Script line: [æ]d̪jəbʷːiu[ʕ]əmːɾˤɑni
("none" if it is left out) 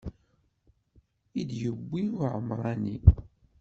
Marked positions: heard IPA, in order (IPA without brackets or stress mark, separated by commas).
i, ʕ